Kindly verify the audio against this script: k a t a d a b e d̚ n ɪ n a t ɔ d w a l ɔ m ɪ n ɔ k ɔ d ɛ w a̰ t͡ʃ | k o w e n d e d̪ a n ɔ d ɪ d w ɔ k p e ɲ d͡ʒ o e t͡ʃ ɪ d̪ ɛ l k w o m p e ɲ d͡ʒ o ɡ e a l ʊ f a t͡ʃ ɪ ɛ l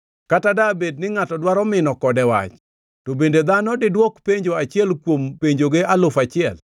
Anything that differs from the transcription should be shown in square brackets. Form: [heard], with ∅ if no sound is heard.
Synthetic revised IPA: k a t a d a b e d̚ n ɪ [ŋ] a t ɔ d w a [ɾ] ɔ m ɪ n ɔ k ɔ d ɛ w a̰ t͡ʃ | [t] o [b] e n d e d̪ a n ɔ d ɪ d w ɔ k p e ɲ d͡ʒ o [a] t͡ʃ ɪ [∅] ɛ l k w o m p e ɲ d͡ʒ o ɡ e a l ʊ f a t͡ʃ ɪ ɛ l